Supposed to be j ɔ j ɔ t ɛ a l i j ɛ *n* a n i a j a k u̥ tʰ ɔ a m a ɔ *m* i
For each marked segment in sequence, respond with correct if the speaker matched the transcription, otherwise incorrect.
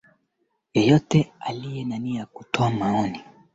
correct, incorrect: n

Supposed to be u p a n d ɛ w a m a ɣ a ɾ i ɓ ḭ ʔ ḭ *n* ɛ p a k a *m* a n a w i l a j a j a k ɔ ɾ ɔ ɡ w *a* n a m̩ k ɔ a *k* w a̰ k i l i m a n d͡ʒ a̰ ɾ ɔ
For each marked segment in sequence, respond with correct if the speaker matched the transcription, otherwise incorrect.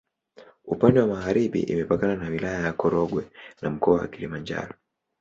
incorrect: m, incorrect: n, incorrect: ɛ, incorrect: none

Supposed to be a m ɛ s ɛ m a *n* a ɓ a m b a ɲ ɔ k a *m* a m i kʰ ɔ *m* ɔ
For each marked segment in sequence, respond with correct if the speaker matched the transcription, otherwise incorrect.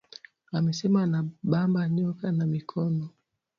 correct, incorrect: n, incorrect: n

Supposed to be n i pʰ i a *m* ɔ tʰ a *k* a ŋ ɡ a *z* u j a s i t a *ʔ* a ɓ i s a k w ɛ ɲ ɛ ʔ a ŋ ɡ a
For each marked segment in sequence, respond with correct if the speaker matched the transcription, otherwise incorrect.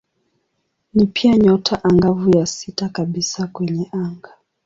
incorrect: ɲ, incorrect: ʔ, incorrect: v, incorrect: k

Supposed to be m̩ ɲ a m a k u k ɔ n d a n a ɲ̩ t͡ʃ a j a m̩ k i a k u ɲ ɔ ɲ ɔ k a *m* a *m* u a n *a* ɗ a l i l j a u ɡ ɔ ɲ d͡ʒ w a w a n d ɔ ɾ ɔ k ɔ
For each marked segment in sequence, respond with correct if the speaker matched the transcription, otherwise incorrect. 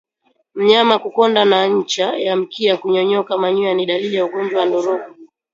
correct, incorrect: ɲ, incorrect: i

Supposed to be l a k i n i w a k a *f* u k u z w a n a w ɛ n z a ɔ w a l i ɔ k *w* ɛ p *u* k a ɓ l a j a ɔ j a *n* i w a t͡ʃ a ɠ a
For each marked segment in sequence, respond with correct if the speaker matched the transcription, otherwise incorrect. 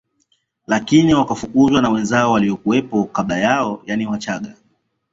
correct, incorrect: u, incorrect: ɔ, correct

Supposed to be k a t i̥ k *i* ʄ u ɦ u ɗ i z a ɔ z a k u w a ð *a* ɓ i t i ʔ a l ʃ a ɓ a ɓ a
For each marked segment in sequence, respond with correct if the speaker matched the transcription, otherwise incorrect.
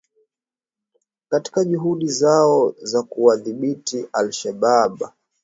incorrect: a, incorrect: i

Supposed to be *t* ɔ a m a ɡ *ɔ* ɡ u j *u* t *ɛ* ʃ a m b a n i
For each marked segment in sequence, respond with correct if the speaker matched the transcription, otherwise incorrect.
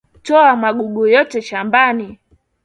correct, incorrect: u, incorrect: ɔ, correct

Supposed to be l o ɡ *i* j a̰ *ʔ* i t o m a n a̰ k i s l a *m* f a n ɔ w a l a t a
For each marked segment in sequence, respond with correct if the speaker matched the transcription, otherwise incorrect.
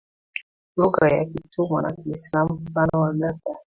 incorrect: a, incorrect: k, correct

